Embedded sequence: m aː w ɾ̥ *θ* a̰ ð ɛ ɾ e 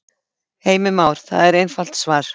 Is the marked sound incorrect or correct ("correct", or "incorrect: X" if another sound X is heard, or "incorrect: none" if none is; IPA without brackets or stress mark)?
correct